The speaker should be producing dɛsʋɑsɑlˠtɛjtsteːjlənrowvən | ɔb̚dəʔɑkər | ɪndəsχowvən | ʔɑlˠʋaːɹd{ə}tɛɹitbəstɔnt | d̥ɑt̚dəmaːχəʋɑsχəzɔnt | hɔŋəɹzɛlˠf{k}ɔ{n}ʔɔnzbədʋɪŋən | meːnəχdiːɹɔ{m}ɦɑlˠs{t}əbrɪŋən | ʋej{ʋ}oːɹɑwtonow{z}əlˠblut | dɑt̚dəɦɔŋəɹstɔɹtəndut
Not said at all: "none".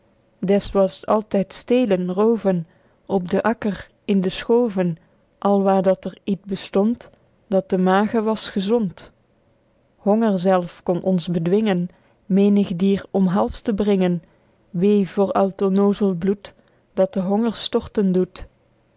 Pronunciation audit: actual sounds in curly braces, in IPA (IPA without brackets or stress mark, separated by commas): ɑ, k, n, m, t, v, z